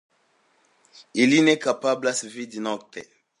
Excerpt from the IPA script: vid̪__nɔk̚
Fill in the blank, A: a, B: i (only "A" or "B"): B